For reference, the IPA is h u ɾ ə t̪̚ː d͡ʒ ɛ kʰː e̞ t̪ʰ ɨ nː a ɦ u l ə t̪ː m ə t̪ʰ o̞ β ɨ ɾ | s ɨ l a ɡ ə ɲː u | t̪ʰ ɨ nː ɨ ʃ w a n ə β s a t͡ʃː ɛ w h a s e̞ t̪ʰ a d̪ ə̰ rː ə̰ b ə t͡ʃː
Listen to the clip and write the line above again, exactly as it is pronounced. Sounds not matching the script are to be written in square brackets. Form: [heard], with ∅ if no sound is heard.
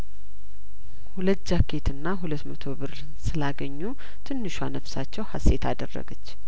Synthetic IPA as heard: h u [l] ə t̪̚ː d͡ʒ [a] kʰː e̞ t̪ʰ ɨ nː a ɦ u l ə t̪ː m ə t̪ʰ o̞ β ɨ ɾ | s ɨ l a ɡ ə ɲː u | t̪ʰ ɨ nː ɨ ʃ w a n ə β s a t͡ʃː ɛ w h a s e̞ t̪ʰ a d̪ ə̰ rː ə̰ [ɡ] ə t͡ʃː